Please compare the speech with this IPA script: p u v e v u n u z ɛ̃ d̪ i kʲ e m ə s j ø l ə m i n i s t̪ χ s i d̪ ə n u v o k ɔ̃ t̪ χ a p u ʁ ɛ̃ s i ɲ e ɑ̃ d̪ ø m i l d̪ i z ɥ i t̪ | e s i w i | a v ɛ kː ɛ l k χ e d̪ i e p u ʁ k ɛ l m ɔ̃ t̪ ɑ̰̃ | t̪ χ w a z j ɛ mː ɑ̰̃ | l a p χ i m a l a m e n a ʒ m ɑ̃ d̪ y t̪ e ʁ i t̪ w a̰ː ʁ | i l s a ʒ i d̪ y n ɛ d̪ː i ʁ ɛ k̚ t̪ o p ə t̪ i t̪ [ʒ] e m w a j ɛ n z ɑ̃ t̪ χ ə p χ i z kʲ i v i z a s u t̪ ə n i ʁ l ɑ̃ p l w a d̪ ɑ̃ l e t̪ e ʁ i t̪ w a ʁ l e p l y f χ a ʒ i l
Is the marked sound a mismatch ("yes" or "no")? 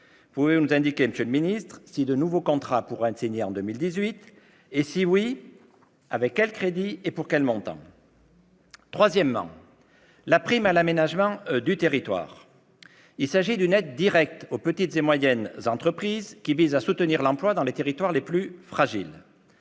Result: yes